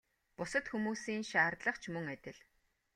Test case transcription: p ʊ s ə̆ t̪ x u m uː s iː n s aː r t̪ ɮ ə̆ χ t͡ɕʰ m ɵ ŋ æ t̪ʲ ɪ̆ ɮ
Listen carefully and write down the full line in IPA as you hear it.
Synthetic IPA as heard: p ʊ s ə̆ t̪ x u m uː s iː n ʃ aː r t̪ ɮ ə̆ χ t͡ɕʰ m ɵ ŋ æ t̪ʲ ɪ̆ ɮ

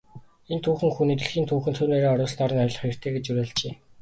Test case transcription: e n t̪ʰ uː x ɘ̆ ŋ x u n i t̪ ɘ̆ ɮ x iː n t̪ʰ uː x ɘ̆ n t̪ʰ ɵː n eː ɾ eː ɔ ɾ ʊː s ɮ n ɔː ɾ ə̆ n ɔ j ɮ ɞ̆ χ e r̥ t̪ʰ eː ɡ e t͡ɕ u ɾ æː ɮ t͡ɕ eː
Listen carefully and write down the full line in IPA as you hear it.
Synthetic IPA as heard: e n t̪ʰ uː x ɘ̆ ŋ x u n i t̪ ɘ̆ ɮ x iː n t̪ʰ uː x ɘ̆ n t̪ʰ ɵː n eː ɾ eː ɔ ɾ ʊː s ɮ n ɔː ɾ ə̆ n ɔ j ɮ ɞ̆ χ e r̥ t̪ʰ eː ɡ e t͡ɕ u ɾ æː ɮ t͡ɕ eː

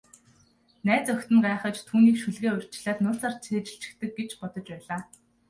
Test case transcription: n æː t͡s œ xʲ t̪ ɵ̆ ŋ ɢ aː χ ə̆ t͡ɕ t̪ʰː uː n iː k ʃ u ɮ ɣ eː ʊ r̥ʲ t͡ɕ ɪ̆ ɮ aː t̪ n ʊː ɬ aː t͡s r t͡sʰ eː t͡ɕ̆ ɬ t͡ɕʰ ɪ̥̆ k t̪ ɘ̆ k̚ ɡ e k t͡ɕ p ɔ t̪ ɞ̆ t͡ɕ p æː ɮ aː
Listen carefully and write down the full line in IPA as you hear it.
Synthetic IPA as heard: n æː t͡s œ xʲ t̪ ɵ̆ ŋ ɢ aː χ ə̆ t͡ɕ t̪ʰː uː n iː k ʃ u ɮ ɣ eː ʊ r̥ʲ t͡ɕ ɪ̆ ɮ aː t̪ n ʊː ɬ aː r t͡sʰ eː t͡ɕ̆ ɬ t͡ɕ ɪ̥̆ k t̪ ɘ̆ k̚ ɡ e t͡ɕ p ɔ t̪ ɞ̆ t͡ɕ p æː ɮ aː

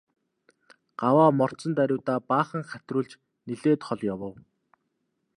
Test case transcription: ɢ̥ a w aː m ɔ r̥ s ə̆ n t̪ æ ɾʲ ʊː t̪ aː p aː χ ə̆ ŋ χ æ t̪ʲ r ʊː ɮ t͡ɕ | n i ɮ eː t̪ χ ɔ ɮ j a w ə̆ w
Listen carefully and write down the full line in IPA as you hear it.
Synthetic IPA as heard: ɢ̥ a w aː m ɔ r̥ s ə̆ n t̪ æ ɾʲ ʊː t̪ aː p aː χ ə̆ ŋ χ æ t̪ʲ r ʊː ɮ t͡ɕ | n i ɮ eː t̪ χ ɔ ɮ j a w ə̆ w

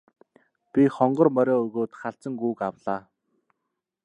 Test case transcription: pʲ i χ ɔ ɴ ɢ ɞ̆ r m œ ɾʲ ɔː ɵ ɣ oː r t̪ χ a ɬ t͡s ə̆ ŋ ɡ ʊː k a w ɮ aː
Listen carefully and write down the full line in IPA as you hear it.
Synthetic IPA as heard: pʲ i χ ɔ ɴ ɢ ɞ̆ r m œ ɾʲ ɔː ɵ ɣ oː t̪ χ a ɬ t͡s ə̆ ŋ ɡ uː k a w ɮ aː

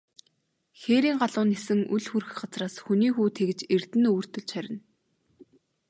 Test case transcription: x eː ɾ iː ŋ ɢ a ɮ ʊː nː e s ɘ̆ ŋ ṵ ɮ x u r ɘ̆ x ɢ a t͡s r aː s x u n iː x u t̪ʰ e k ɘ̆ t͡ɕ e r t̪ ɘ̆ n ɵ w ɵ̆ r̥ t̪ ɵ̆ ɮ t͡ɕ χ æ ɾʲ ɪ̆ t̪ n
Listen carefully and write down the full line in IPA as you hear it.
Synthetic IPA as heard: x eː ɾ iː ŋ ɢ a ɮ ʊː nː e s ɘ̆ ŋ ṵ ɮ x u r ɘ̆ x ɢ a t͡s r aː s x u n iː x uː t̪ʰ e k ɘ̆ t͡ɕ e r t̪ ɘ̆ n ɵ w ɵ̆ r̥ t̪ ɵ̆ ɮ t͡ɕ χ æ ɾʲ ɪ̆ n

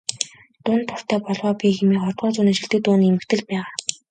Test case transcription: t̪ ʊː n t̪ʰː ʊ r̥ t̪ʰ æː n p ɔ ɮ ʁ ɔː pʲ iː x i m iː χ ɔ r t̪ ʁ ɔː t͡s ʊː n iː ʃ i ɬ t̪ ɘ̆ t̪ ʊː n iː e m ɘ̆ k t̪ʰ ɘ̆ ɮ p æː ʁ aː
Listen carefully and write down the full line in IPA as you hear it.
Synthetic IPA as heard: t̪ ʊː n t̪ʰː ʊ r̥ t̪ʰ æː p ɔ ɮ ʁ ɔː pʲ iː x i m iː χ ɔ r t̪ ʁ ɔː t͡s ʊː n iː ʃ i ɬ t̪ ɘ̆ t̪ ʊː n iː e m ɘ̆ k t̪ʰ ɘ̆ ɮ p æː ʁ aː

